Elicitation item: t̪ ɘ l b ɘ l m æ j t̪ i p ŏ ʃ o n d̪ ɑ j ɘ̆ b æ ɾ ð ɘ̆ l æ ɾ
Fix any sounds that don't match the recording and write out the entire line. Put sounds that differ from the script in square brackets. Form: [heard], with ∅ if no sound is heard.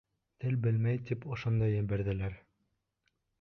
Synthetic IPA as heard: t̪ ɘ l b ɘ l m æ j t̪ i p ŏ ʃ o n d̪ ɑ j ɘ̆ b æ ɾ ð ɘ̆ l æ ɾ